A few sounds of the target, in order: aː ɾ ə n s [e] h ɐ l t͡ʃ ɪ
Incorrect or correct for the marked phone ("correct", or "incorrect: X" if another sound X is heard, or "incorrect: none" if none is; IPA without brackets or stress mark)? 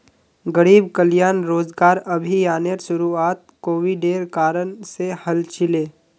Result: correct